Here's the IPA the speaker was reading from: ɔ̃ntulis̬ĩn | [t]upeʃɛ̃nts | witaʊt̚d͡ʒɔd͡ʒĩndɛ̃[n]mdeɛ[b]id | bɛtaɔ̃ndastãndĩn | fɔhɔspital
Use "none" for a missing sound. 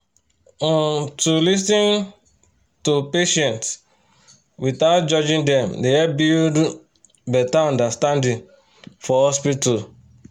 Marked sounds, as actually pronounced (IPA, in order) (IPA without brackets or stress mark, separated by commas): t, none, b